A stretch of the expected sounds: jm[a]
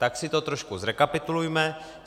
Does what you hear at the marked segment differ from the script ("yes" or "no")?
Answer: yes